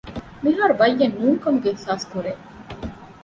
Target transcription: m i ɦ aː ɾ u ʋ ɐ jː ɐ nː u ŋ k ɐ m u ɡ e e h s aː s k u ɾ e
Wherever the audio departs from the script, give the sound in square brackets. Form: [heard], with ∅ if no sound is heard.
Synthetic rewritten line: m i ɦ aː ɾ u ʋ ɐ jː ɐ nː [uː] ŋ k ɐ m u ɡ e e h s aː s k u ɾ e